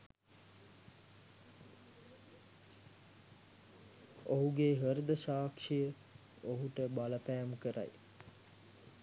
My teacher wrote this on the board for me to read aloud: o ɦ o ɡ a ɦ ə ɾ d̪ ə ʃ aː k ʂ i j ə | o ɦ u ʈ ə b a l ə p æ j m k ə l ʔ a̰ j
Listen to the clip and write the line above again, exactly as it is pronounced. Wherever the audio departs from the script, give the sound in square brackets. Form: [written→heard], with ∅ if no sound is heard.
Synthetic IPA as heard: o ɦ [o→u] ɡ [a→e] ɦ ə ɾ d̪ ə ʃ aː k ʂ i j ə | o ɦ u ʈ ə b a l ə p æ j m k ə [l→ɾ] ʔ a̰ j